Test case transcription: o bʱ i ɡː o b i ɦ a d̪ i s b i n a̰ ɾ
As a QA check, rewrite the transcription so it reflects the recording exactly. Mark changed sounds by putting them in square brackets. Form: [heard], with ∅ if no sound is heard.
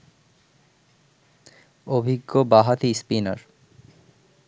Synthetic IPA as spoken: o bʱ i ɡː o b [a] ɦ a [t̪] i s [p] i n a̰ ɾ